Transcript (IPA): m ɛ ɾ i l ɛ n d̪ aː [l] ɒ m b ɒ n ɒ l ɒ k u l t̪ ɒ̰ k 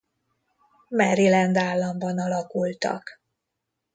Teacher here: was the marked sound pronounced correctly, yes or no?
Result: no